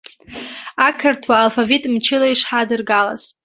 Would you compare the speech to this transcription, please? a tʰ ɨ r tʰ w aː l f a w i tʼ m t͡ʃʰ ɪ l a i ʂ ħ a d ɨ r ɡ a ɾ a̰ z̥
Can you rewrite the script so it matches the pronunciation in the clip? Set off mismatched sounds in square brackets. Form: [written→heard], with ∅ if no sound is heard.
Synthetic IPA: a [tʰ→kʰ] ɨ r tʰ w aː l f a [w→v] i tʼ m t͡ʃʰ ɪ l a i ʂ ħ a d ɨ r ɡ a [ɾ→l] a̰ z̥